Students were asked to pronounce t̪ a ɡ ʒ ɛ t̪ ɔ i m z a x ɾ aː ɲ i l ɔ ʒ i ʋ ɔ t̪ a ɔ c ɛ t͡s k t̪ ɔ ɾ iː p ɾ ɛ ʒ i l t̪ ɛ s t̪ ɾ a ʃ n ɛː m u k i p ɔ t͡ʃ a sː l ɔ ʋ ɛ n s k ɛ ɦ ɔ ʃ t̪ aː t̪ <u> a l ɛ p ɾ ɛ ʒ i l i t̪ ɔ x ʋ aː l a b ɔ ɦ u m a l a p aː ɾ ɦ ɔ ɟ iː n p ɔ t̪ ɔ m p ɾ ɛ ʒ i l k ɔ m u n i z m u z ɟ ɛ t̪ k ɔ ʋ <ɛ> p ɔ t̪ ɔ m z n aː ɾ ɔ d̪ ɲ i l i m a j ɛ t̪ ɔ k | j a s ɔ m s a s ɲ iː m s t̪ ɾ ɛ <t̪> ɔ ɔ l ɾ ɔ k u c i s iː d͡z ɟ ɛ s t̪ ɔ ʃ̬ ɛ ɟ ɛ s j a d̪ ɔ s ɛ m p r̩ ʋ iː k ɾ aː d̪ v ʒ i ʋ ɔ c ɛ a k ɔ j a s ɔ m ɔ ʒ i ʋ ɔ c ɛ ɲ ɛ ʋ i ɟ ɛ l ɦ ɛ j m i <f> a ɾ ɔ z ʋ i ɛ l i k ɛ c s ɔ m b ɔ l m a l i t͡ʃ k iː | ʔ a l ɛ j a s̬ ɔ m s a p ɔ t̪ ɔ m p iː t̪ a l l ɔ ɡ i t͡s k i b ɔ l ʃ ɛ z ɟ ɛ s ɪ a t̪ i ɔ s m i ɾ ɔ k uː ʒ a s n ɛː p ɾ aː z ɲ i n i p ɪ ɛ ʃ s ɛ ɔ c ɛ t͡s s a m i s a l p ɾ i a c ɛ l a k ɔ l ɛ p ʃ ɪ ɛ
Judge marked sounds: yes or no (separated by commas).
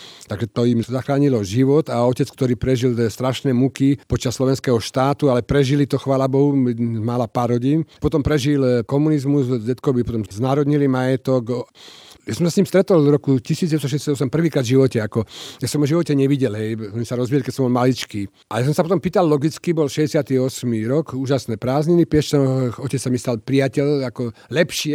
yes, no, yes, no